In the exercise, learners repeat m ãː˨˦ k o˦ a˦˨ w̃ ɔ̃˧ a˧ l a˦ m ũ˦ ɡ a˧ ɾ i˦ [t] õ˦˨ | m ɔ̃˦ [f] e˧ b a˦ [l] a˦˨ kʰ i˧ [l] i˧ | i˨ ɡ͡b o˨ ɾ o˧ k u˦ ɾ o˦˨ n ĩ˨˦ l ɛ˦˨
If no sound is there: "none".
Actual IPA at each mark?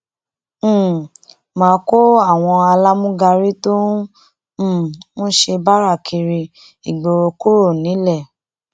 t, ʃ, ɾ, ɾ

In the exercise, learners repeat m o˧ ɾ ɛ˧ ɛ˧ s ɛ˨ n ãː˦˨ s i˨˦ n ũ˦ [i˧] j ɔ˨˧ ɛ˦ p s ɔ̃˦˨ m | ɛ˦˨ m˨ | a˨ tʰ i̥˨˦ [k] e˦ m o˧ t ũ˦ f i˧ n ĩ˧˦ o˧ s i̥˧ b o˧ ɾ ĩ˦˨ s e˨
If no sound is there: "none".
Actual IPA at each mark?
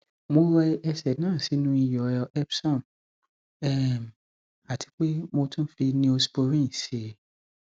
i˧, k͡p

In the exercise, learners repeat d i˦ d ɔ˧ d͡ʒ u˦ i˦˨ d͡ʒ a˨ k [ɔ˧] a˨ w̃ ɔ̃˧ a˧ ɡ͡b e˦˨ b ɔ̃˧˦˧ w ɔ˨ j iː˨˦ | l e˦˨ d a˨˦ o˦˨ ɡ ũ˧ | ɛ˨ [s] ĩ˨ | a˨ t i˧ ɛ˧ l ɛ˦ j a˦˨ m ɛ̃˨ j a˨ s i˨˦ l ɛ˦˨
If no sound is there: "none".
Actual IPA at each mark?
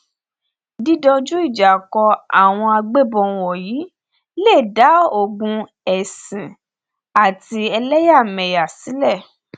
ɔ˧, s

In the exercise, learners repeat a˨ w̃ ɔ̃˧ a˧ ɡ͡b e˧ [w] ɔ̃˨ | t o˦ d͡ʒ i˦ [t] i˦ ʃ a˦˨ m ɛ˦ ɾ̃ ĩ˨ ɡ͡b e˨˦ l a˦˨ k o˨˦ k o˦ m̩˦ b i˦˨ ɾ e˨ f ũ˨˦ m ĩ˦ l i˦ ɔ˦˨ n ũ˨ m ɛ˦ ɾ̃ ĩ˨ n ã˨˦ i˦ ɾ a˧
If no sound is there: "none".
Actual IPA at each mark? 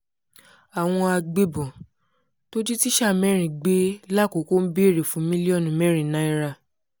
b, t

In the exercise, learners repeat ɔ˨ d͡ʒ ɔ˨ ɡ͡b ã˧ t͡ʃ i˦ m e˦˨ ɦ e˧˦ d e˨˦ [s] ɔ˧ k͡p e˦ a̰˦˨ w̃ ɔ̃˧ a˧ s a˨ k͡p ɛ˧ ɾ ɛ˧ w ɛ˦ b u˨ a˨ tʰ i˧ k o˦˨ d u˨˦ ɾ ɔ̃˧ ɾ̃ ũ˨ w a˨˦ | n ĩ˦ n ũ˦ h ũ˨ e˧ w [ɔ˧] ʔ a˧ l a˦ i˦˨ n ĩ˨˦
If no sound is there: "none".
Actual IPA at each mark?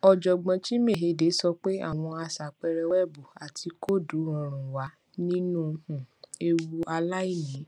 s, u˧

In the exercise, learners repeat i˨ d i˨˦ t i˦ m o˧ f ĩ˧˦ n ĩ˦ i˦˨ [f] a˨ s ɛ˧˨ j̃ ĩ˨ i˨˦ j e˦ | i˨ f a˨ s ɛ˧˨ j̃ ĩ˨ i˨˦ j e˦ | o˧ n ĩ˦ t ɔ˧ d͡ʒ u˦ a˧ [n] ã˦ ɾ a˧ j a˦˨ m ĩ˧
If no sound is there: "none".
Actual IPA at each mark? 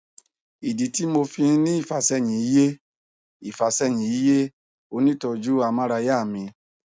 f, m

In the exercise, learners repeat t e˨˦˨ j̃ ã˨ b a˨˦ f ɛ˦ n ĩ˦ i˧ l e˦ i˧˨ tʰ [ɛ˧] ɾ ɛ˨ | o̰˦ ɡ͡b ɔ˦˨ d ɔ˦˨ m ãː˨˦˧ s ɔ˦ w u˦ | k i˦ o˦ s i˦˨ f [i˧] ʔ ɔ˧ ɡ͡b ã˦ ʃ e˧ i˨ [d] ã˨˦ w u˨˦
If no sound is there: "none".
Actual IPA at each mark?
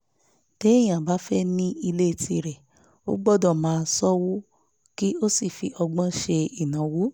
i˧, i˧, n

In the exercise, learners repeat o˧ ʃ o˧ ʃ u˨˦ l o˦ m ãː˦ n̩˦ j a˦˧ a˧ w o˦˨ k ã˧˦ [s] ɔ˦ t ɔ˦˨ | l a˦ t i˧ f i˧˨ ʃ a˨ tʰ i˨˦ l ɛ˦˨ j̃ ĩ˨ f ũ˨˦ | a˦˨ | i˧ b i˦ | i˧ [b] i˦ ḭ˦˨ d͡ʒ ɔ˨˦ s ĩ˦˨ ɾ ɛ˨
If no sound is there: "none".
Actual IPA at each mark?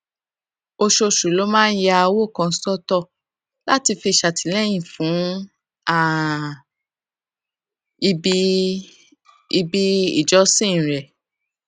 s, b

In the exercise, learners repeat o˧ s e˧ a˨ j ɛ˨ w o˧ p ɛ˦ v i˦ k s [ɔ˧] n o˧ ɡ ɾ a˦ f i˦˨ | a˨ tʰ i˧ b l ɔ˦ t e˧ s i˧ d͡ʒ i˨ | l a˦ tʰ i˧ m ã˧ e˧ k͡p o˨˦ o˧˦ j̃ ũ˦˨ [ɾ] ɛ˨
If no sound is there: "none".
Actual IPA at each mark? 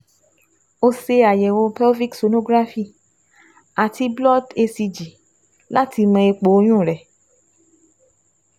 o˧, ɾ

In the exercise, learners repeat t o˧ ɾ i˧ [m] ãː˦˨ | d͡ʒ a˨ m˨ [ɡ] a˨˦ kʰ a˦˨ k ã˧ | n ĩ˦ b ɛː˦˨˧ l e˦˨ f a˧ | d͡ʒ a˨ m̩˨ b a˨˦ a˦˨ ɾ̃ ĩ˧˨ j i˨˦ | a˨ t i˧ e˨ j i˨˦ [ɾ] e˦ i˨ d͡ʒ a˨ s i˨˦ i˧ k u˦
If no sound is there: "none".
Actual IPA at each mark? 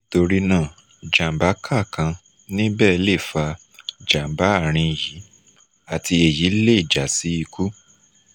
n, b, l

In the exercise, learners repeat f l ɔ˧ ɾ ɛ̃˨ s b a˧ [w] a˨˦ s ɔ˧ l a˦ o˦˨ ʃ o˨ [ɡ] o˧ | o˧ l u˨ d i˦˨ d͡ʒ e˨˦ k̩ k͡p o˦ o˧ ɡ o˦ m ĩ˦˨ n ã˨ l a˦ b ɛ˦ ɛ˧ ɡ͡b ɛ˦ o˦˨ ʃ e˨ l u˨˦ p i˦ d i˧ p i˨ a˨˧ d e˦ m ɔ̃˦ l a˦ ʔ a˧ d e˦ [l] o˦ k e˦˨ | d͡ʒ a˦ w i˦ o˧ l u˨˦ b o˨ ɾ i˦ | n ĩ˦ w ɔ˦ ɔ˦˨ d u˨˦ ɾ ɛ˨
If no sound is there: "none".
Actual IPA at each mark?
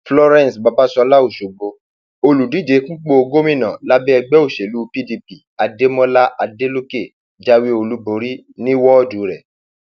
b, ɡ͡b, l

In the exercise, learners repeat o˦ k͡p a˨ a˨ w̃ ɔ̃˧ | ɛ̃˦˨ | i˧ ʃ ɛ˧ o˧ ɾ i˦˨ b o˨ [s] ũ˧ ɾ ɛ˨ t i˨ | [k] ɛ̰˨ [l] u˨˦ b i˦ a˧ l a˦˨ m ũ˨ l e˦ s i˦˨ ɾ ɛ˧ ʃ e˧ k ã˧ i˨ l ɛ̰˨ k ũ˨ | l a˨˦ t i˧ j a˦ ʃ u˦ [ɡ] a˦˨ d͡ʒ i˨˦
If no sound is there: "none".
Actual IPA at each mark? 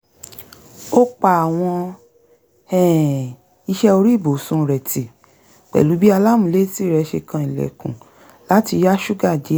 s, k͡p, l, ɡ

